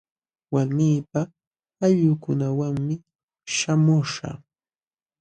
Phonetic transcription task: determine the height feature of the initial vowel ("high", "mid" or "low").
low